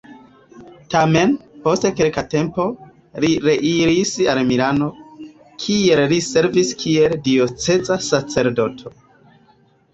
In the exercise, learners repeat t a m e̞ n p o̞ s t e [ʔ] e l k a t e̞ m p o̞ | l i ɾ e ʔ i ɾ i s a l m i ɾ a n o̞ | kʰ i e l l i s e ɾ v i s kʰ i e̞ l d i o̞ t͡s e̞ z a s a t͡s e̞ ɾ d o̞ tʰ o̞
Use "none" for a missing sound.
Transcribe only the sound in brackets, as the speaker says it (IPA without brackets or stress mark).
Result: k